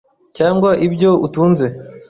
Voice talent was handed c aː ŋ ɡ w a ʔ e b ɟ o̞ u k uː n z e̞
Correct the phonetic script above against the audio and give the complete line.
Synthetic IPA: c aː ŋ ɡ w a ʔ i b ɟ o̞ u t uː n z e̞